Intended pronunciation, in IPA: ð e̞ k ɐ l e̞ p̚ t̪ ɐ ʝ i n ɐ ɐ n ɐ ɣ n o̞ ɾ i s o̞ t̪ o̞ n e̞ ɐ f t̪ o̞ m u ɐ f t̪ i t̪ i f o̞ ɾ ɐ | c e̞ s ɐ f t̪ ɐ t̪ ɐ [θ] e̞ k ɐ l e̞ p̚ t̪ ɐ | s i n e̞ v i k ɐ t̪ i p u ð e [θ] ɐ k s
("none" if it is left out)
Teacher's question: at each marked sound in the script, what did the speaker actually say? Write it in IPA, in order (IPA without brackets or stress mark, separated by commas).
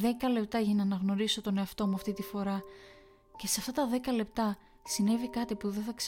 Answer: ð, θ